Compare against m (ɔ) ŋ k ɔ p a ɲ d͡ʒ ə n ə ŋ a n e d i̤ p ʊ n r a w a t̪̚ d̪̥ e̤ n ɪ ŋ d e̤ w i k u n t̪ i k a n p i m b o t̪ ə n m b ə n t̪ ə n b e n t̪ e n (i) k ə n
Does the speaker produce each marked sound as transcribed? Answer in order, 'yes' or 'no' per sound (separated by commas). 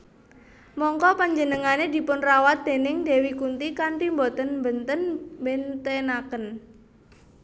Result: yes, no